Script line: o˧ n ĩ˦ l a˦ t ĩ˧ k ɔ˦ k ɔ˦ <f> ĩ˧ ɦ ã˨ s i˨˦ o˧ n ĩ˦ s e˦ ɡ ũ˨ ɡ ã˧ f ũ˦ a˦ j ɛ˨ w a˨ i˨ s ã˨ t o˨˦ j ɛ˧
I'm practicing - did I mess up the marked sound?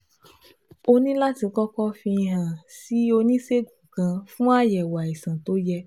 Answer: no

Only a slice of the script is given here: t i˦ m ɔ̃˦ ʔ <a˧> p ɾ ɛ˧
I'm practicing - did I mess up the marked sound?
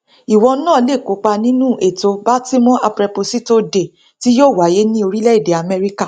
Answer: no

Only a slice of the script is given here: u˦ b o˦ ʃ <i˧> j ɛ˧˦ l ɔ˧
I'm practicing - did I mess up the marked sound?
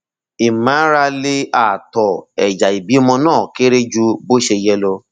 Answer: yes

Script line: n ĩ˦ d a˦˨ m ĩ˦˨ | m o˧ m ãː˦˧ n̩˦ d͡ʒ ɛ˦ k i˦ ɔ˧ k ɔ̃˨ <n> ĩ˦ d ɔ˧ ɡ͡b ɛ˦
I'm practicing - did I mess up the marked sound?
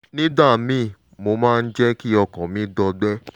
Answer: yes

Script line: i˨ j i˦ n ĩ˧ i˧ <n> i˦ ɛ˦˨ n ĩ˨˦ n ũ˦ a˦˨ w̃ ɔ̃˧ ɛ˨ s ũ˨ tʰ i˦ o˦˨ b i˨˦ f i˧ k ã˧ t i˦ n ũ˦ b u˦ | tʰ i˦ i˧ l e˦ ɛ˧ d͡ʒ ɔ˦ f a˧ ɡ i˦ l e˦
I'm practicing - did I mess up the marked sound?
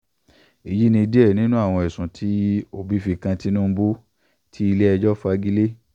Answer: yes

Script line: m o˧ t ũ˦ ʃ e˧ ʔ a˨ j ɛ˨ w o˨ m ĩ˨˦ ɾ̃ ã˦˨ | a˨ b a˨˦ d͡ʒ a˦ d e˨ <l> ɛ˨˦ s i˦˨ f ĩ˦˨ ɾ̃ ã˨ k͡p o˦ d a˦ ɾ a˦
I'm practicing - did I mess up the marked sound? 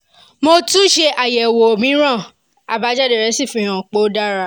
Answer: yes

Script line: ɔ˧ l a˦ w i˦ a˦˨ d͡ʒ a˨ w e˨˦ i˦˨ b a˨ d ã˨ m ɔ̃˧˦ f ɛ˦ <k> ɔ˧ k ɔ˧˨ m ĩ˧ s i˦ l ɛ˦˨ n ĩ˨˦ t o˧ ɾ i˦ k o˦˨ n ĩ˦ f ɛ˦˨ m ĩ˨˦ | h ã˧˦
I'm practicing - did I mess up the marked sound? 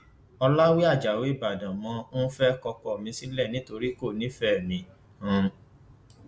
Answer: no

